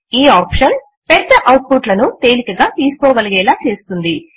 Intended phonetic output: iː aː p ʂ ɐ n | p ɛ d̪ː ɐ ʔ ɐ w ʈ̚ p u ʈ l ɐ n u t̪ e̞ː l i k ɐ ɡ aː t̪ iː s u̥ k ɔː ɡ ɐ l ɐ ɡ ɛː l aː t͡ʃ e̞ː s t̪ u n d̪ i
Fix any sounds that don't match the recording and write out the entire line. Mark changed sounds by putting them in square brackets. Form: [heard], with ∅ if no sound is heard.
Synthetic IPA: iː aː p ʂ ɐ n | p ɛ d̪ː ɐ ʔ ɐ w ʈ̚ p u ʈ l ɐ n u t̪ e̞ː l i k ɐ ɡ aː t̪ iː s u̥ k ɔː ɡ ɐ l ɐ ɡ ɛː l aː t͡ʃ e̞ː s t̪ u n d̪ i